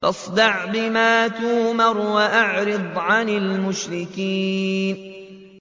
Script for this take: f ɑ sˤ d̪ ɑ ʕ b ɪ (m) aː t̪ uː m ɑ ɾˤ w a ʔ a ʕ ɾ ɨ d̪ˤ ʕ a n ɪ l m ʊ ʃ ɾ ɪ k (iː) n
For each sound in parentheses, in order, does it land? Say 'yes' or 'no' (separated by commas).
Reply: yes, yes